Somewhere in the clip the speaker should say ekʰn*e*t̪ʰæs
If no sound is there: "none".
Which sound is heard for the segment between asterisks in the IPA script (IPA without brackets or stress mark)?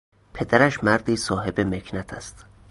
æ